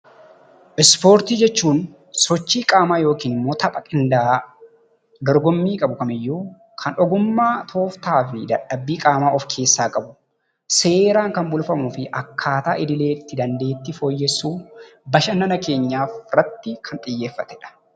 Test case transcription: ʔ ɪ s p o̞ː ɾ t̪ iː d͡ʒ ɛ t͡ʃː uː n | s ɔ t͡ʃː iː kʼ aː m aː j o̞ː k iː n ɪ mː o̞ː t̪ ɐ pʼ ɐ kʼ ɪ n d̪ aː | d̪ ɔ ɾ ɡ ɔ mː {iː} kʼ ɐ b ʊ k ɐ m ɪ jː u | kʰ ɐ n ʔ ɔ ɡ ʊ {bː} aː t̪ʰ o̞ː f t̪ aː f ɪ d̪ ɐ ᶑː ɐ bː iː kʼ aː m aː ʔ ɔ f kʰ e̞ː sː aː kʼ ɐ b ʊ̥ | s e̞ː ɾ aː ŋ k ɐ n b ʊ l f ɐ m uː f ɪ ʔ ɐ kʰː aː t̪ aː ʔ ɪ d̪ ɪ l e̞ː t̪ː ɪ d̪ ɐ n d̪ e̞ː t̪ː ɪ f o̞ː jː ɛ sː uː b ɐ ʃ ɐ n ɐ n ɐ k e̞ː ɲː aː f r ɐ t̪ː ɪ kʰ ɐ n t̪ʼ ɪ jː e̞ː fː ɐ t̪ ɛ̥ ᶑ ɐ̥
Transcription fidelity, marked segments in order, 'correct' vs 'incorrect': correct, incorrect: mː

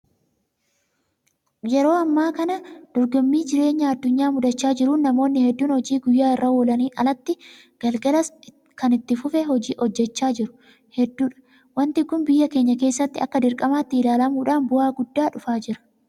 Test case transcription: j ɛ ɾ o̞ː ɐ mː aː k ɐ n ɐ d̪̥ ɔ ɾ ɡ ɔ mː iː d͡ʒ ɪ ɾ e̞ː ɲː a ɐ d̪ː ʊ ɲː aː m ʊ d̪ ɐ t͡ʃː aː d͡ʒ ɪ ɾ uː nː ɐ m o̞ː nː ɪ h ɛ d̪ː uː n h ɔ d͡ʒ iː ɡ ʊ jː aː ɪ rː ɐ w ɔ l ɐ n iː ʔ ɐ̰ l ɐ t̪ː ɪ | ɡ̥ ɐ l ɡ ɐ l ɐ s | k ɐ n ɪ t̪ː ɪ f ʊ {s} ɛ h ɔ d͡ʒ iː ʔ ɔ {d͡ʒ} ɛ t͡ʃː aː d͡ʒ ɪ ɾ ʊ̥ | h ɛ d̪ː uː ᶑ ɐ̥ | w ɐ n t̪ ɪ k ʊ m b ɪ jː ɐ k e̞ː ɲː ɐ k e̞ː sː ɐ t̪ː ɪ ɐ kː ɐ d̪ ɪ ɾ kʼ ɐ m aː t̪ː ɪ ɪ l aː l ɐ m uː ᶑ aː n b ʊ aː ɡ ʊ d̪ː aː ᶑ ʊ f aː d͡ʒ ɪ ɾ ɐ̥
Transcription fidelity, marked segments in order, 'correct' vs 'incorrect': incorrect: f, incorrect: d͡ʒː

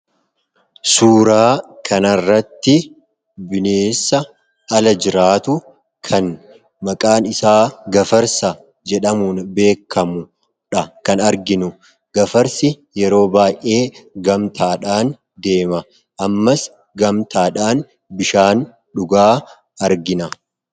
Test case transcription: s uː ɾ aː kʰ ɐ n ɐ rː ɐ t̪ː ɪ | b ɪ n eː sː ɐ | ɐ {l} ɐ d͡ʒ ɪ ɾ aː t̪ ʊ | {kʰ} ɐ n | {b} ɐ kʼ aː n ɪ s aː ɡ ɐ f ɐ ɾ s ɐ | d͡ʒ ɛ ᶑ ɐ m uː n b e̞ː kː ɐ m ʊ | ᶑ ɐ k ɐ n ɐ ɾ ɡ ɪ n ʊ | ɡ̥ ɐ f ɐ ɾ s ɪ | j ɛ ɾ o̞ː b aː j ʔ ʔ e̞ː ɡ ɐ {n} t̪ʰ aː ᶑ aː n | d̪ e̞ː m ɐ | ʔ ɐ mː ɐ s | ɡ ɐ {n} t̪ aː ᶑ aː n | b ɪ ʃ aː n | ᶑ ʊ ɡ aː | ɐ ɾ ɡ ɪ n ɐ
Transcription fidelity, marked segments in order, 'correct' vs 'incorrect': correct, correct, incorrect: m, incorrect: m, incorrect: m

